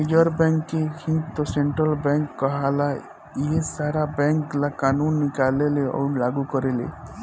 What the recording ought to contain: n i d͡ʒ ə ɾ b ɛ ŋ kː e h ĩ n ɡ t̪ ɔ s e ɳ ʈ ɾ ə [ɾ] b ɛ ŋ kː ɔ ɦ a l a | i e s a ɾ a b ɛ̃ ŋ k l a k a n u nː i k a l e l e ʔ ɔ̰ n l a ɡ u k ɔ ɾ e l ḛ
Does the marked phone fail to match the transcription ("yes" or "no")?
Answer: yes